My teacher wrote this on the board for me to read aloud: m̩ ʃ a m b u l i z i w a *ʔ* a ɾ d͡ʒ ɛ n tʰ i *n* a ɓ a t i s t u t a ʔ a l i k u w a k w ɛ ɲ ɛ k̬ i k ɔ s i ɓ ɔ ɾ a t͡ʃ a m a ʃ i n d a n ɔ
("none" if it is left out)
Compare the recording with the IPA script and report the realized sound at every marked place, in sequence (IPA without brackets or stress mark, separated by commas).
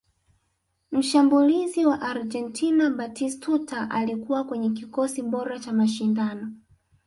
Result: ʔ, n